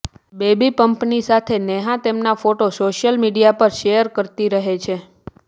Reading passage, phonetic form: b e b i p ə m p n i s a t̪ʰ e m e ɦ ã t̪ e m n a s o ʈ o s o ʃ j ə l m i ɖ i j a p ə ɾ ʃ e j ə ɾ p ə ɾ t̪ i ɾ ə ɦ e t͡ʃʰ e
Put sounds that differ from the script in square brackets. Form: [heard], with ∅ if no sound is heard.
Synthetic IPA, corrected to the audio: b e b i p ə m p n i s a t̪ʰ e [n] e ɦ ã t̪ e m n a [f] o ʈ o s o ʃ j ə l m i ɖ i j a p ə ɾ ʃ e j ə ɾ [k] ə ɾ t̪ i ɾ ə ɦ e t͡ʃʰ e